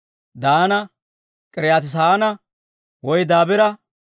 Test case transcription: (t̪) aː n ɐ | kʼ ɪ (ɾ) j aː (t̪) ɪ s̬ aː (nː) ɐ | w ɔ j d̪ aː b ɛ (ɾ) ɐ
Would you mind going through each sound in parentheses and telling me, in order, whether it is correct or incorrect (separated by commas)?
incorrect, correct, correct, incorrect, correct